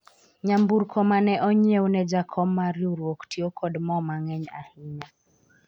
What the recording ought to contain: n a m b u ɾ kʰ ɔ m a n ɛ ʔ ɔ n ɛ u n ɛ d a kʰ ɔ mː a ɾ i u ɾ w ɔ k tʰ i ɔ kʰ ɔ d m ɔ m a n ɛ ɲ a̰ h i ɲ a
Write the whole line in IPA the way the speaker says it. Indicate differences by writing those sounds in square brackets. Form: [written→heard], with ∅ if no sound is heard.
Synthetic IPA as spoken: [n→ɲ] a m b u ɾ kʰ ɔ m a n ɛ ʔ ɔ [n→ɲ] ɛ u n ɛ [d→d͡ʒ] a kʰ ɔ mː a ɾ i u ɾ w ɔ k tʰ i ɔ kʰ ɔ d m ɔ m a [n→ŋ] ɛ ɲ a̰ h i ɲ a

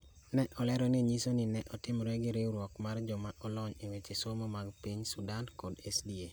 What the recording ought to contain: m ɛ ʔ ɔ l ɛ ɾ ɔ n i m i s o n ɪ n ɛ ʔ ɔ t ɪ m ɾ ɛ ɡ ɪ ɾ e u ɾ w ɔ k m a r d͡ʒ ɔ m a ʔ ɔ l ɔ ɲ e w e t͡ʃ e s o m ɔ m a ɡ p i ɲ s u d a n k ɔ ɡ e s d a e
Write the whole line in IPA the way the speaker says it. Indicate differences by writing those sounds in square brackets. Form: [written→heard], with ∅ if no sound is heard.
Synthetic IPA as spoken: [m→n] ɛ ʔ ɔ l ɛ ɾ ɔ n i [m→ɲ] i s o n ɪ n ɛ ʔ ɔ t ɪ m ɾ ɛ ɡ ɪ ɾ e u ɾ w ɔ k m a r d͡ʒ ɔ m a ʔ ɔ l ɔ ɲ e w e t͡ʃ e s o m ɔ m a ɡ p i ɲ s u d a n k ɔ [ɡ→d] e s d [a→i] e

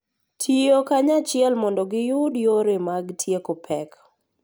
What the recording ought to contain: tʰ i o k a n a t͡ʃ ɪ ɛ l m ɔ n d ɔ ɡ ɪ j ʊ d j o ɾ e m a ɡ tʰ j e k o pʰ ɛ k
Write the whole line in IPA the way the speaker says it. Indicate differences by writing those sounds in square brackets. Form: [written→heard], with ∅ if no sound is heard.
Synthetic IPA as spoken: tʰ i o k a [n→ɲ] a t͡ʃ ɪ ɛ l m ɔ n d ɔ ɡ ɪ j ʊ d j o ɾ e m a ɡ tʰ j e k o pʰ ɛ k

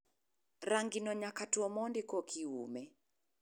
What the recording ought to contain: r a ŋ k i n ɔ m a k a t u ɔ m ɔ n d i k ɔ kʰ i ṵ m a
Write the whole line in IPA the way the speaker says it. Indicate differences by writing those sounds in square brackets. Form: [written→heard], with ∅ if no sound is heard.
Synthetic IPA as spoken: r a ŋ [k→ɡ] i n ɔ [m→ɲ] a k a t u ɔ m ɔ n d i k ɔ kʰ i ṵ m [a→ɛ]

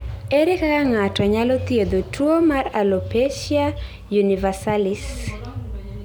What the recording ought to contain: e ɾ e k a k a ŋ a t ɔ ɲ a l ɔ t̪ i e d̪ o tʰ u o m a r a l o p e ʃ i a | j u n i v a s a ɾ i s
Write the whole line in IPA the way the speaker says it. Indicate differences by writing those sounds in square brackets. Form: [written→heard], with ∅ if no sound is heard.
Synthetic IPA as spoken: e ɾ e k a k a ŋ a t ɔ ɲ a l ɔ t̪ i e d̪ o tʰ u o m a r a l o p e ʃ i a | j u n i v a s a [ɾ→l] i s

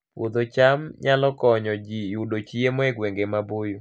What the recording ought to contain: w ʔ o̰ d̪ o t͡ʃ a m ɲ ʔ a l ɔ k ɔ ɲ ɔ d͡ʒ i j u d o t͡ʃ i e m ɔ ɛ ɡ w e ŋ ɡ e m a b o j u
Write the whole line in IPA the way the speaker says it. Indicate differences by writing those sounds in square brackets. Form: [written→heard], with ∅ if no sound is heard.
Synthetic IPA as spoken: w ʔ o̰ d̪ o t͡ʃ a m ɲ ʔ a l ɔ k ɔ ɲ ɔ d͡ʒ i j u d o t͡ʃ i e m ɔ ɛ ɡ w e ŋ ɡ e m a b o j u

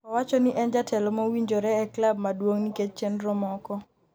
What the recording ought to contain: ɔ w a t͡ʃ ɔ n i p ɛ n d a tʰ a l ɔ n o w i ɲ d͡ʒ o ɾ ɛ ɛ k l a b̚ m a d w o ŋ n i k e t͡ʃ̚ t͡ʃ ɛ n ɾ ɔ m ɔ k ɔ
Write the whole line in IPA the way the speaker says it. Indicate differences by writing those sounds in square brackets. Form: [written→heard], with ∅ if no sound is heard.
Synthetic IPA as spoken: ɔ w a t͡ʃ ɔ n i [p→ʔ] ɛ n [d→d͡ʒ] a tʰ [a→ɛ] l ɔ [n→m] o w i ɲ d͡ʒ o ɾ ɛ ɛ k l a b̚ m a d w o ŋ n i k e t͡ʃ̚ t͡ʃ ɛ n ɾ ɔ m ɔ k ɔ

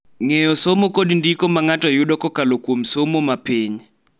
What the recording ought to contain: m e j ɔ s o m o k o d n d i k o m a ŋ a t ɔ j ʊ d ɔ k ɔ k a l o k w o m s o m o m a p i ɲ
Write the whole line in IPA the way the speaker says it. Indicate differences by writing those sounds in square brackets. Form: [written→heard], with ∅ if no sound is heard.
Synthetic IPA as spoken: [m→ŋ] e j ɔ s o m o k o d n d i k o m a ŋ a t ɔ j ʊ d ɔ k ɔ k a l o k w o m s o m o m a p i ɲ

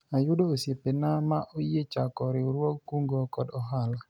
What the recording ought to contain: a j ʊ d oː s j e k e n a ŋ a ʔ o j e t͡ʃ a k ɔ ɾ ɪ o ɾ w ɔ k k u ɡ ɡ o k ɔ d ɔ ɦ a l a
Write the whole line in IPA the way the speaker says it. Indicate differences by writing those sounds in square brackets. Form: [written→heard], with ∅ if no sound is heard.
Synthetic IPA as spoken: a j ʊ d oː s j e [k→p] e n a [ŋ→m] a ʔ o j e t͡ʃ a k ɔ ɾ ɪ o ɾ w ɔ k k u [ɡ→ŋ] ɡ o k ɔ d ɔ ɦ a l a

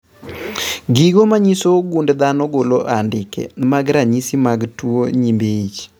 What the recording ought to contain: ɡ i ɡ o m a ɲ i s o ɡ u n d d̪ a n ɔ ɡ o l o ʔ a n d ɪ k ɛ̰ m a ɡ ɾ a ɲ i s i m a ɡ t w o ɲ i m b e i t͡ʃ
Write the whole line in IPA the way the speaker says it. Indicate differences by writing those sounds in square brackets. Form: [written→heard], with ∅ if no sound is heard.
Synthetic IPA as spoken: ɡ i ɡ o m a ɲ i s o ɡ u n d d̪ a n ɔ ɡ o l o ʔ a n d ɪ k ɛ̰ m a ɡ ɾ a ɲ i s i m a ɡ t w o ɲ i m b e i t͡ʃ

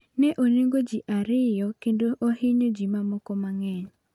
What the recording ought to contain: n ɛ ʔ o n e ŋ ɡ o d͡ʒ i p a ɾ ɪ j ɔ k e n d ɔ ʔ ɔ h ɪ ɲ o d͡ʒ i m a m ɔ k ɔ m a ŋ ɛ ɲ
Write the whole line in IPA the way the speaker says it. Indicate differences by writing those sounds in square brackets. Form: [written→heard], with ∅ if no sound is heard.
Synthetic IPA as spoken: n ɛ ʔ o n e ŋ ɡ o d͡ʒ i [p→ʔ] a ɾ ɪ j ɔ k e n d [ɔ→o] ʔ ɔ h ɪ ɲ o d͡ʒ i m a m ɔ k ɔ m a ŋ ɛ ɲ

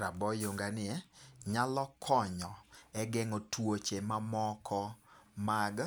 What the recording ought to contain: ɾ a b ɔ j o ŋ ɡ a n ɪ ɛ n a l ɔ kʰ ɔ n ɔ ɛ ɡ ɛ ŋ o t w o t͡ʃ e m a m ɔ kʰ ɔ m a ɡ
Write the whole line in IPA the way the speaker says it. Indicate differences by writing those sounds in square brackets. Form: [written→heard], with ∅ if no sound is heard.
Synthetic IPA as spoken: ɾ a b ɔ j o ŋ ɡ a n ɪ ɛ [n→ɲ] a l ɔ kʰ ɔ [n→ɲ] ɔ ɛ ɡ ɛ ŋ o t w o t͡ʃ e m a m ɔ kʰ ɔ m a ɡ

